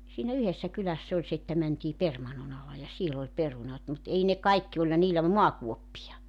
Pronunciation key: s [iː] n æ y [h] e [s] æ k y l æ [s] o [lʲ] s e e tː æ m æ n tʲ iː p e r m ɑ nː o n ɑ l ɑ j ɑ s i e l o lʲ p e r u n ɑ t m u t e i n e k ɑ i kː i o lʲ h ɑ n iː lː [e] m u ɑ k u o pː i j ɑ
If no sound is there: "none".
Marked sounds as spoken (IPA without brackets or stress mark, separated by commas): iː, h, sː, sː, lʲ, æ